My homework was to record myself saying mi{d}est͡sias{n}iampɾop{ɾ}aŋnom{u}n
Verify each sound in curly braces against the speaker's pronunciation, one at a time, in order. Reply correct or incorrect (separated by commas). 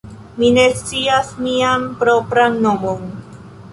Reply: incorrect, incorrect, correct, incorrect